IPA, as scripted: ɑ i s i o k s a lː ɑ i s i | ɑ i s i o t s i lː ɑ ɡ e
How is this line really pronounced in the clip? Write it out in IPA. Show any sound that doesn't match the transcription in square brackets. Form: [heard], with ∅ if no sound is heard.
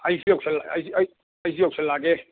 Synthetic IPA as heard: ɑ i s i o k s [e] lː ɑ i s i | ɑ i s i o [k] s [e] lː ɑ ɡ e